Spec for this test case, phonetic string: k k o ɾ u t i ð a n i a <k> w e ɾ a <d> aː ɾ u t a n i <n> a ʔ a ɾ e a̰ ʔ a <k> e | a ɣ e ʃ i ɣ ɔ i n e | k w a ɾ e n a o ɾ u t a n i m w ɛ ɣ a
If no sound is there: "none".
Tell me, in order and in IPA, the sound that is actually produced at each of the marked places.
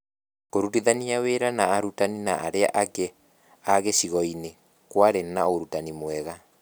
none, n, n, k

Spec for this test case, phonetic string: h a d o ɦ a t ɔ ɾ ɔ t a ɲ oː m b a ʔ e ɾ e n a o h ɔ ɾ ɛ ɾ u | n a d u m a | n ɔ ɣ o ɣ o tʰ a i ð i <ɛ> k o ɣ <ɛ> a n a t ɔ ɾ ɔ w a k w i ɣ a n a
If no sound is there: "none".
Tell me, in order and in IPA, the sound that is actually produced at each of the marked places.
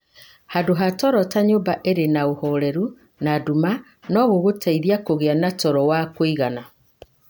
a, e

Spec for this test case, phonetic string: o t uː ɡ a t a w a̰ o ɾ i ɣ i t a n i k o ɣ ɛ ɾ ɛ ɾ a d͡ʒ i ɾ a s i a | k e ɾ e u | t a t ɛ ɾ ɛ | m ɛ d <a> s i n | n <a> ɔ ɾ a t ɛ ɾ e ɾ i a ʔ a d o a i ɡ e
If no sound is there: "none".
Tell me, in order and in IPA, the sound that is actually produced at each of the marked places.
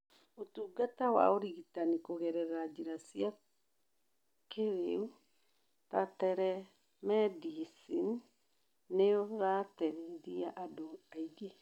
i, e

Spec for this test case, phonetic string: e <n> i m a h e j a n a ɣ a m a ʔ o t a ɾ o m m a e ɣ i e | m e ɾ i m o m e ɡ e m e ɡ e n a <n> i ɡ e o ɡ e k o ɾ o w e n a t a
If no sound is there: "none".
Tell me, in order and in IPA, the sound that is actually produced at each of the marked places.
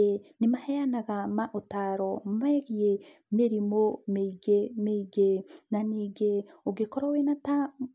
n, n

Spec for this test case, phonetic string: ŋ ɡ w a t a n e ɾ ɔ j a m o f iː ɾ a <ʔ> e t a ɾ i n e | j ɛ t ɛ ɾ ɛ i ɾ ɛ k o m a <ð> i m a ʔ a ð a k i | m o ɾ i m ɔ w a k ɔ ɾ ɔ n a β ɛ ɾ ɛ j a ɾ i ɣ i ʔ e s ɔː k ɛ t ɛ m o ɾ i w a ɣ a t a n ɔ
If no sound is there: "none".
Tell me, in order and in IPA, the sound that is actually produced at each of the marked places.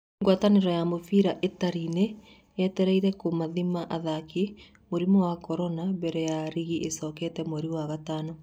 ʔ, ð

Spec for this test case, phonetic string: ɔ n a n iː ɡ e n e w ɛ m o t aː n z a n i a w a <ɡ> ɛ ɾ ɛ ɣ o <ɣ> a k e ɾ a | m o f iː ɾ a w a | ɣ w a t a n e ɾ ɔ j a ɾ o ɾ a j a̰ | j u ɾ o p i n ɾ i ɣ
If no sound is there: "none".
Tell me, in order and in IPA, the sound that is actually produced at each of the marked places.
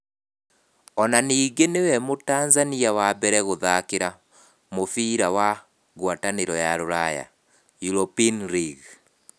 b, ð

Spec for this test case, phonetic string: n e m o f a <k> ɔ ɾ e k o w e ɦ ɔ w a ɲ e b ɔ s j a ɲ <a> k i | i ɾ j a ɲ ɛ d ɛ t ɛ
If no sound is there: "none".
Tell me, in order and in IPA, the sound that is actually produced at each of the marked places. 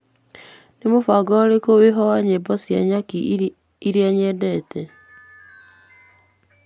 ɡ, a

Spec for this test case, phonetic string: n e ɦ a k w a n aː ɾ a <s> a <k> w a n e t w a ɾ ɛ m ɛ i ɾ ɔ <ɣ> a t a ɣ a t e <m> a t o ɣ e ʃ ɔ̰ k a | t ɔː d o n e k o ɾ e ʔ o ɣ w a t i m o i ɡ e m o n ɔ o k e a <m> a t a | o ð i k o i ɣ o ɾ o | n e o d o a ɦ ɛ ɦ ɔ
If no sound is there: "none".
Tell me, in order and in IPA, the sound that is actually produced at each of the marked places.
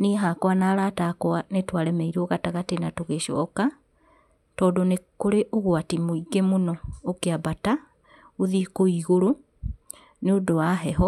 t, k, ɣ, n, b

